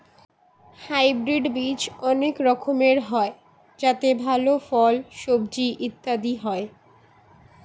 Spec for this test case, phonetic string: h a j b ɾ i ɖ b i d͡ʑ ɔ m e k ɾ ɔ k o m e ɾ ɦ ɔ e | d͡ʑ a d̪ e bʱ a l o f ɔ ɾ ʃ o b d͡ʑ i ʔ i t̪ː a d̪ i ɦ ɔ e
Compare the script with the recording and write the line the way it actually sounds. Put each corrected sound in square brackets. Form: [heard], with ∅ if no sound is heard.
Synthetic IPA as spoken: h a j b ɾ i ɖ b i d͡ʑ ɔ [n] e k ɾ ɔ [kʰ] o m e ɾ ɦ ɔ e | d͡ʑ a [t̪] e bʱ a l o f ɔ [l] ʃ o b d͡ʑ i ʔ i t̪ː a d̪ i ɦ ɔ e